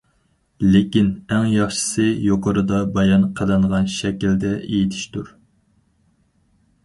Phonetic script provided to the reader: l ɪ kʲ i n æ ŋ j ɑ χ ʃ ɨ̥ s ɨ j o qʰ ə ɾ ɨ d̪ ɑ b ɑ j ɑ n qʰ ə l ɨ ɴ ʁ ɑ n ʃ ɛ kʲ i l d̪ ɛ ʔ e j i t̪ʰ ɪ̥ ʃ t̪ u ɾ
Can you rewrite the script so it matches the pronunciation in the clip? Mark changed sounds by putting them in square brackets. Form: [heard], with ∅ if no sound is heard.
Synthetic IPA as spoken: l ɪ kʲ i n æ ŋ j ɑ χ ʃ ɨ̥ s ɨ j o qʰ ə ɾ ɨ d̪ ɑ b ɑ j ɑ n qʰ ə l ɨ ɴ ʁ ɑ n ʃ ɛ kʲ i l d̪ ɛ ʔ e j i t̪ʰ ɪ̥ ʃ t̪ u ɾ

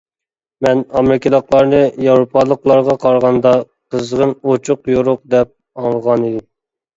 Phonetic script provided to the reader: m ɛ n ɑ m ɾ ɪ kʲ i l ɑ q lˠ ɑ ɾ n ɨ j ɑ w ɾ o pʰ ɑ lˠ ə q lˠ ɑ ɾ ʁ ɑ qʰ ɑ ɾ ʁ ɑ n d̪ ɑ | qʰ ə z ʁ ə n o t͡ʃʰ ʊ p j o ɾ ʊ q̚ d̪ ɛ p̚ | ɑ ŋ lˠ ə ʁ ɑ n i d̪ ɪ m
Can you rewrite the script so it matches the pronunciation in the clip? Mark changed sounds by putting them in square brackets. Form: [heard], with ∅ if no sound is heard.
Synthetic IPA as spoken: m ɛ n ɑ m ɾ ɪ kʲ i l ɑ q lˠ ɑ ɾ n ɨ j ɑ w ɾ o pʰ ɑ lˠ ə q lˠ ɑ ɾ ʁ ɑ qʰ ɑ ɾ ʁ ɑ n d̪ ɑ | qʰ ə z ʁ ə n o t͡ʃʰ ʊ [q] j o ɾ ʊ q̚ d̪ ɛ p̚ | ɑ ŋ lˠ ə ʁ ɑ n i d̪ ɪ m

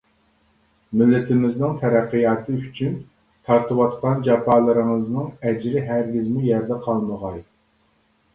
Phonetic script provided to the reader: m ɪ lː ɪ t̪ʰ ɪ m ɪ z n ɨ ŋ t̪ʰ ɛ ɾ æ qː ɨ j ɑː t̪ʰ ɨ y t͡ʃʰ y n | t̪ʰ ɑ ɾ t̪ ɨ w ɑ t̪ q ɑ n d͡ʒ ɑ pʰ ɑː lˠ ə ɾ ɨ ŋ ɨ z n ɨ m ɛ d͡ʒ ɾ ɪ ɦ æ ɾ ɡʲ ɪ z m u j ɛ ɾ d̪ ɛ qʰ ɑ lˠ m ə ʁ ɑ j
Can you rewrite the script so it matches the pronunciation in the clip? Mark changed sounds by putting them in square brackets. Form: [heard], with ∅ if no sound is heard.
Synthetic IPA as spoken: m ɪ lː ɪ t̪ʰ ɪ m ɪ z n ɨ ŋ t̪ʰ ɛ ɾ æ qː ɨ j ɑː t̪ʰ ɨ y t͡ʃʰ y n | t̪ʰ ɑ ɾ t̪ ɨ w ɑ t̪ q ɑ n d͡ʒ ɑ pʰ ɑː lˠ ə ɾ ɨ ŋ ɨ z n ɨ [ŋ] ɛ d͡ʒ ɾ ɪ ɦ æ ɾ ɡʲ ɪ z m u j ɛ ɾ d̪ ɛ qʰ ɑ lˠ m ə ʁ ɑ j

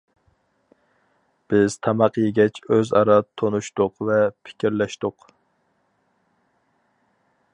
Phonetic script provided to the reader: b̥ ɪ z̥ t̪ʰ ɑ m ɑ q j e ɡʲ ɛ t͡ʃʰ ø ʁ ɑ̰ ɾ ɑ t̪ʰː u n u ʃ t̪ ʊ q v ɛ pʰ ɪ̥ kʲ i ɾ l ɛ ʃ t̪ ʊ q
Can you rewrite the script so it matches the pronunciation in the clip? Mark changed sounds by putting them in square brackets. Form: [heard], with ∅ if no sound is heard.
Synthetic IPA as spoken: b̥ ɪ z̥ t̪ʰ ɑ m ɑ q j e ɡʲ ɛ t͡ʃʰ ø [z] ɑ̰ ɾ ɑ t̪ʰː [o] n u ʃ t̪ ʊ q v ɛ pʰ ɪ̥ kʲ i ɾ l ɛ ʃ t̪ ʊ q

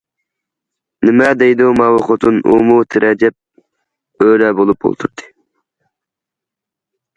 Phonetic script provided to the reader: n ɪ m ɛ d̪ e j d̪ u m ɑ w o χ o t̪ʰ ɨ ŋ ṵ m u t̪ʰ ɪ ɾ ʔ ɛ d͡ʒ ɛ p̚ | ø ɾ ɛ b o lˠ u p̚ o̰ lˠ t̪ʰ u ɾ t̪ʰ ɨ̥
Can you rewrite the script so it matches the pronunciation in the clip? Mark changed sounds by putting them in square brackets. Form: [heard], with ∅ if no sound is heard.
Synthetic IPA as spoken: n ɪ m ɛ d̪ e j d̪ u m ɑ w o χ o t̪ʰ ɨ [n] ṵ m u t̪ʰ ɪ ɾ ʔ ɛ d͡ʒ ɛ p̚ | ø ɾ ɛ b o lˠ u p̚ o̰ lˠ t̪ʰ u ɾ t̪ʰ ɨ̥

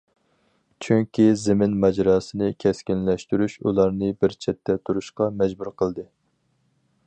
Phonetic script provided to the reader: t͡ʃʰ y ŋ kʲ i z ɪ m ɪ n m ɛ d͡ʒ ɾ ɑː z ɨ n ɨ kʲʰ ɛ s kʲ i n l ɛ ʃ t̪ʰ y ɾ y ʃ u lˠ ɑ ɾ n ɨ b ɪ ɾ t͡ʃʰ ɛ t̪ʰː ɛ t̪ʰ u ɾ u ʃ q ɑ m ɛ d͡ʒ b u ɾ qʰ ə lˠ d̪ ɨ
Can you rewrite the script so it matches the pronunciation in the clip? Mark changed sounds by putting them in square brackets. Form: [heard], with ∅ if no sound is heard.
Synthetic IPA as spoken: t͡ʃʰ y ŋ kʲ i z ɪ m ɪ n m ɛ d͡ʒ ɾ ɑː [s] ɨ n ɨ kʲʰ ɛ s kʲ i n l ɛ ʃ [t̪] y ɾ y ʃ u lˠ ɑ ɾ n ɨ b ɪ ɾ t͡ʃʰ ɛ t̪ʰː ɛ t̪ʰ u ɾ u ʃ q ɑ m ɛ d͡ʒ b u ɾ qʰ ə lˠ d̪ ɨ

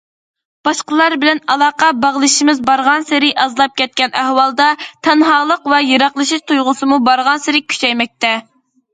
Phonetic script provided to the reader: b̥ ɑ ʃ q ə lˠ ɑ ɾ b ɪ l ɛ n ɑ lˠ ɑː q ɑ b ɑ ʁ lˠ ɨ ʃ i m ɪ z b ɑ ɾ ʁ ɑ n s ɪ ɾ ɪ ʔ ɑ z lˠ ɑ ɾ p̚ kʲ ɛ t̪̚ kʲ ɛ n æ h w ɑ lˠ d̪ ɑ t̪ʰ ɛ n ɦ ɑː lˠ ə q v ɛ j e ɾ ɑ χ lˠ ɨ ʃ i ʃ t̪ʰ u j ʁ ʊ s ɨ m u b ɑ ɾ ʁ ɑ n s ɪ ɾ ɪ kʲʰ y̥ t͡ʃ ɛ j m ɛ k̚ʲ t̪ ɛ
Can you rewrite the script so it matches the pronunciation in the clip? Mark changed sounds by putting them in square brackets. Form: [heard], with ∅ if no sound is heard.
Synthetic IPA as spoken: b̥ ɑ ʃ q ə lˠ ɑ ɾ b ɪ l ɛ n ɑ lˠ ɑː q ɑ b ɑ ʁ lˠ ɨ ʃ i m ɪ z b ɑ ɾ ʁ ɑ n s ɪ ɾ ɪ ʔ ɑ z lˠ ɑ [∅] p̚ kʲ ɛ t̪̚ kʲ ɛ n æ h w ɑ lˠ d̪ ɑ t̪ʰ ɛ n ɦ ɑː lˠ ə q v ɛ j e ɾ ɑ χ lˠ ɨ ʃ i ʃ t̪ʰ u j ʁ ʊ s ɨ m u b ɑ ɾ ʁ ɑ n s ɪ ɾ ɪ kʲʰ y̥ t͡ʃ ɛ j m ɛ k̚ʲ t̪ ɛ

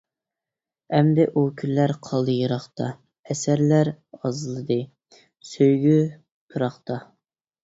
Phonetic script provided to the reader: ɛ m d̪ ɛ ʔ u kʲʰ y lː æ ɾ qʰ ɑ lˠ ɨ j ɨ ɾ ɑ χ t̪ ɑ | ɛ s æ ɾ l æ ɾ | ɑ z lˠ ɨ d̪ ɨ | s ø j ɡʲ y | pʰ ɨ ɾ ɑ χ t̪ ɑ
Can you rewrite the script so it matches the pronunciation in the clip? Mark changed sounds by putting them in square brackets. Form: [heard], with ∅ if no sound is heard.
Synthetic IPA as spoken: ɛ m d̪ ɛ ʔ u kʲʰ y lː æ ɾ qʰ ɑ lˠ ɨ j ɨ ɾ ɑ χ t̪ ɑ | ɛ s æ ɾ l æ ɾ | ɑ z lˠ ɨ d̪ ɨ | s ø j ɡʲ y | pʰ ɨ ɾ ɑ χ t̪ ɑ

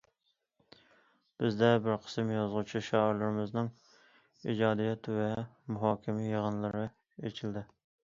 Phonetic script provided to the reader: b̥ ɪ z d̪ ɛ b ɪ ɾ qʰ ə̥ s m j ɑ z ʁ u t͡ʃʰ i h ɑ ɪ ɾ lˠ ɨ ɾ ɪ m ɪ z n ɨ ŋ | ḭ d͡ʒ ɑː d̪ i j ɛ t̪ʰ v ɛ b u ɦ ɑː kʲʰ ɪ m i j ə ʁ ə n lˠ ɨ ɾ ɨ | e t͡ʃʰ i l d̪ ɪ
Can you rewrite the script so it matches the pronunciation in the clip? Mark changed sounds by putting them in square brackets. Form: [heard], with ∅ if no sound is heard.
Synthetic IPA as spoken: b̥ ɪ z d̪ ɛ b ɪ ɾ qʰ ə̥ s m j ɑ z ʁ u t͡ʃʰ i [ʃ] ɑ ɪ ɾ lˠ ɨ ɾ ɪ m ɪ z n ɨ ŋ | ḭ d͡ʒ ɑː d̪ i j ɛ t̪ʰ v ɛ [m] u ɦ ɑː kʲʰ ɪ m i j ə ʁ ə n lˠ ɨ ɾ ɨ | e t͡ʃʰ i l d̪ ɪ

